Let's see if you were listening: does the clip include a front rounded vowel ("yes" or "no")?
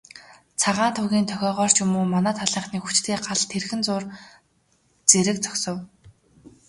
yes